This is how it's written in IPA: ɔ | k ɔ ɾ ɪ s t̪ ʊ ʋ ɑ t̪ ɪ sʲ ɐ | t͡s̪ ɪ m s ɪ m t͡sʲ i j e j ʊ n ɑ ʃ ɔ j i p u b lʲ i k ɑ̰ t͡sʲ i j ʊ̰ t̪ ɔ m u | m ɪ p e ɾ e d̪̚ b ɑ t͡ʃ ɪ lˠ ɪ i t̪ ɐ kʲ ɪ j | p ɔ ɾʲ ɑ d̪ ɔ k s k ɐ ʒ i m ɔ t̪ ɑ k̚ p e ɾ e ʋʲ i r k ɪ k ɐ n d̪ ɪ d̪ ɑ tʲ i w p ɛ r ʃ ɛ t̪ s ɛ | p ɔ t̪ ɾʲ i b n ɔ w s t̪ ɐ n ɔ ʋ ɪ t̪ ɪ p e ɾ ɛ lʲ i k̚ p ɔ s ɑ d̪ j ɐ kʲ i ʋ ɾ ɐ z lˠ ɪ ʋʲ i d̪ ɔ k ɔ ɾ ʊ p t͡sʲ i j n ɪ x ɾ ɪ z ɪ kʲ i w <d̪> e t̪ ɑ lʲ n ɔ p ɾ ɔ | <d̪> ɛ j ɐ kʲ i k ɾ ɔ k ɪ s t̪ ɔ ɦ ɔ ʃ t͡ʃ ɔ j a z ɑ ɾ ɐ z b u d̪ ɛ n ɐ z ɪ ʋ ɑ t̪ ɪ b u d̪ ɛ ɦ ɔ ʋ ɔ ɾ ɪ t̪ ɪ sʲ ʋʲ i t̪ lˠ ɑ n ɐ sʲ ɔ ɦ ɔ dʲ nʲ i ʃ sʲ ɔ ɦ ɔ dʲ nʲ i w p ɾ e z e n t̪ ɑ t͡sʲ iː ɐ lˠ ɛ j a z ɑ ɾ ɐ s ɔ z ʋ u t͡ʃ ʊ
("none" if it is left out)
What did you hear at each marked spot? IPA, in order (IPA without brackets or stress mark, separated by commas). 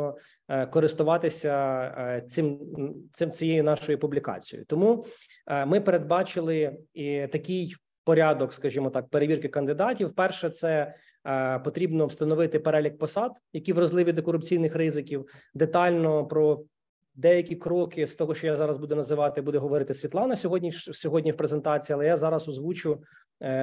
d̪, d̪